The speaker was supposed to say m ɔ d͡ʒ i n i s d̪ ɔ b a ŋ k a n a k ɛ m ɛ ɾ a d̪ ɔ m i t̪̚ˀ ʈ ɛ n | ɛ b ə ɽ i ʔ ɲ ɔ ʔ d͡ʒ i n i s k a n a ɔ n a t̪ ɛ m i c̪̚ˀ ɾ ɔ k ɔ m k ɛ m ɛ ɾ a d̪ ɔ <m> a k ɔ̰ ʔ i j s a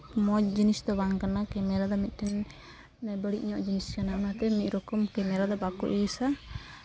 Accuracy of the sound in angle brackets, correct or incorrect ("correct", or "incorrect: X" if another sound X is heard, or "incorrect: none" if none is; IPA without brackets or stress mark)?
incorrect: b